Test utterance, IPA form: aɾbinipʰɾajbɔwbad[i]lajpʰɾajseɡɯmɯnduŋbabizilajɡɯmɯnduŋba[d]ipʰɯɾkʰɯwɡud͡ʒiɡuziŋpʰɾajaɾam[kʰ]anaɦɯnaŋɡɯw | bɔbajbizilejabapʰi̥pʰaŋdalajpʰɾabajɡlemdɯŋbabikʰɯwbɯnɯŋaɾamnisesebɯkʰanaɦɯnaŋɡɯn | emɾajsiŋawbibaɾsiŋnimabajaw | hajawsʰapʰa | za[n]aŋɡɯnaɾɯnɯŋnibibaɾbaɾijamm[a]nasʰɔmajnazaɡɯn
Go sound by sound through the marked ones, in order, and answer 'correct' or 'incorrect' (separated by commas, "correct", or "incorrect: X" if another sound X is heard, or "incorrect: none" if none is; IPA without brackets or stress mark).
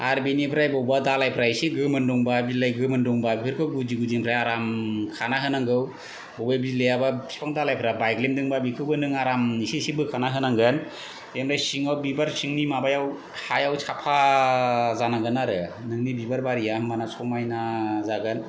incorrect: a, incorrect: b, correct, correct, correct